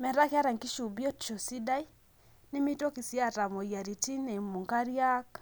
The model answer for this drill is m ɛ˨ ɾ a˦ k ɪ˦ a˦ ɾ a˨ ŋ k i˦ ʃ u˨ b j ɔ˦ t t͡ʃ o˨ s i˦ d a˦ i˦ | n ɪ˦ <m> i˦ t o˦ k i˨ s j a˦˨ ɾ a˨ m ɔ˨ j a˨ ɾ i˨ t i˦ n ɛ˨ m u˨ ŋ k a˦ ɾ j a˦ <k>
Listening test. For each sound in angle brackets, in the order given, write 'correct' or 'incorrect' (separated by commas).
correct, correct